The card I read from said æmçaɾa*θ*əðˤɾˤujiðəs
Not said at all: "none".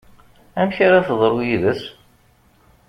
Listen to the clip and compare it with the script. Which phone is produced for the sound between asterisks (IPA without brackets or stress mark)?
θ